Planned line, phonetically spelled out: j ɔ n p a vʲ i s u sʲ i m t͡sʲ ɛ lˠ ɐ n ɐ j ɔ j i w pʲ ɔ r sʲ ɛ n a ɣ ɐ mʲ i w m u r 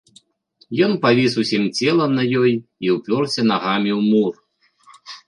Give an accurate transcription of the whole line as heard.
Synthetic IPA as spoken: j ɔ n p a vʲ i s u sʲ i m t͡sʲ ɛ lˠ ɐ n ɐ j ɔ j i w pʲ ɔ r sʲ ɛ n a ɣ a mʲ i w m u r